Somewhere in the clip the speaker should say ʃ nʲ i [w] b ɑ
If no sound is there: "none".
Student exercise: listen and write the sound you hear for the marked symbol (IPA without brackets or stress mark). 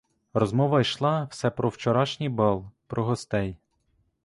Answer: none